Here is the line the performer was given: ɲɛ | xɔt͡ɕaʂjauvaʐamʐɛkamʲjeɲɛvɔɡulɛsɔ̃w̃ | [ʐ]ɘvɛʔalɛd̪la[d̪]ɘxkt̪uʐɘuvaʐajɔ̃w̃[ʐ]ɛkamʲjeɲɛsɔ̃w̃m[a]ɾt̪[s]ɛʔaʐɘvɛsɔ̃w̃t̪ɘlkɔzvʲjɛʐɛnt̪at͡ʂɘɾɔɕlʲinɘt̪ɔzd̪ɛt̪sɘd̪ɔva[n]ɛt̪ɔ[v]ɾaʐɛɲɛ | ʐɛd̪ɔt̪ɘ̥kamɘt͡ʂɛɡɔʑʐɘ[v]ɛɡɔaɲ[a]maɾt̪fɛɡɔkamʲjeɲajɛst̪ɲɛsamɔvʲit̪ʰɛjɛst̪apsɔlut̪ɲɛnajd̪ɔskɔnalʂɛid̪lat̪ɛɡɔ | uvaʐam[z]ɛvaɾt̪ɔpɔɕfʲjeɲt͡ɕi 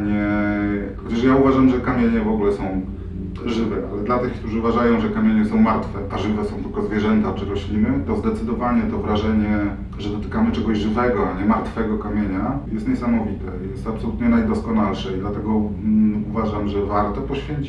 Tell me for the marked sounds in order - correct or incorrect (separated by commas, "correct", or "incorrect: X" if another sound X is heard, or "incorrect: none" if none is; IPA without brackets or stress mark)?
correct, incorrect: t̪, correct, correct, incorrect: f, incorrect: ɲ, correct, correct, incorrect: ɛ, incorrect: ʐ